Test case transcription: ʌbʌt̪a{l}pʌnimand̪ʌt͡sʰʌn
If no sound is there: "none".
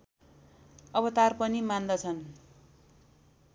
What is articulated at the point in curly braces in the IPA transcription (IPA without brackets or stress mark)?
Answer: r